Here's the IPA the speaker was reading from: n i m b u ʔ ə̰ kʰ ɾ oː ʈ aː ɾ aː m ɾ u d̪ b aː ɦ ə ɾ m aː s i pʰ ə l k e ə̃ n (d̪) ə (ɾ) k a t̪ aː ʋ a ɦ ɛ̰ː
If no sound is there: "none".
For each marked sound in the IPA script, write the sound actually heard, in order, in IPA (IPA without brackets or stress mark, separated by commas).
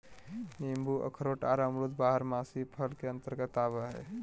t̪, ɾ